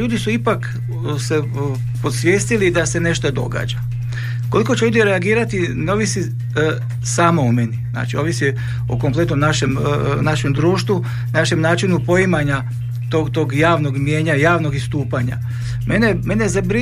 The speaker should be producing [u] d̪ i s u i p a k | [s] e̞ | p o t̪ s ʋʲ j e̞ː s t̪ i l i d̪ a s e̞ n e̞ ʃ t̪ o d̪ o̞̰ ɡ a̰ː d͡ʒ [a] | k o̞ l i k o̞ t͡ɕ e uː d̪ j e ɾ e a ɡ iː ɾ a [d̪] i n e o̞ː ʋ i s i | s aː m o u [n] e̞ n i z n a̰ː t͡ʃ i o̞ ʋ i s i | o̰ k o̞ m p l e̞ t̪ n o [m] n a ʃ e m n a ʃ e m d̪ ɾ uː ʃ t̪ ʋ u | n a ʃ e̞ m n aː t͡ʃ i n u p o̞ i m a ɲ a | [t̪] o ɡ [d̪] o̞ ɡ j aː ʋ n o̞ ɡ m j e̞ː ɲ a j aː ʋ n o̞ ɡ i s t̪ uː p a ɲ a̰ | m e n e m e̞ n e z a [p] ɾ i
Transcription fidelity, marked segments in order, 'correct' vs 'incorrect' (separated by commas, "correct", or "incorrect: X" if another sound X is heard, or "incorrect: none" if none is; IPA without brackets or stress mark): incorrect: uː, correct, correct, incorrect: t̪, incorrect: m, correct, correct, incorrect: t̪, incorrect: b